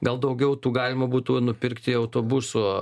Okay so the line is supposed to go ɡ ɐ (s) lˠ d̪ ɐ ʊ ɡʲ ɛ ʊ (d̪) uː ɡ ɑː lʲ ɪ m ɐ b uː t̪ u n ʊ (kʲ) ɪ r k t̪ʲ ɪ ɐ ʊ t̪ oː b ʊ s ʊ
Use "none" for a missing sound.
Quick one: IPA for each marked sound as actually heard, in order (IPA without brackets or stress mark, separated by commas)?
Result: none, t̪, pʲ